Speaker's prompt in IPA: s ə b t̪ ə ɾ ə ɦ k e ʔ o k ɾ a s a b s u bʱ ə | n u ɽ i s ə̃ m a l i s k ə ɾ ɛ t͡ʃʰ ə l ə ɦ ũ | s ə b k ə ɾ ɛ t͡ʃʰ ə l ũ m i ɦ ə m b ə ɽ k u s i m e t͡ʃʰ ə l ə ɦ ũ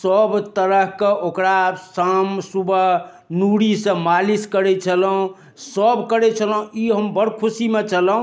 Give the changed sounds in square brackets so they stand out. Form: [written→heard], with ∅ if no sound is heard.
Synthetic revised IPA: s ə b t̪ ə ɾ ə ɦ k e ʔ o k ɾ a s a [b→m] s u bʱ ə | n u ɽ i s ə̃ m a l i s k ə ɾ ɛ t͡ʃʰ ə l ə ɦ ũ | s ə b k ə ɾ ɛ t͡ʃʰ ə l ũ [m→∅] i ɦ ə m b ə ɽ [k→kʰ] u s i m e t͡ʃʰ ə l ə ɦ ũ